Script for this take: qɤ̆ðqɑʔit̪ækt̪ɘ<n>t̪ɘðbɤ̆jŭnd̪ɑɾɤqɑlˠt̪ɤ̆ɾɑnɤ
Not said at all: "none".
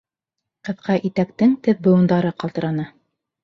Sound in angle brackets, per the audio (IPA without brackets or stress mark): ŋ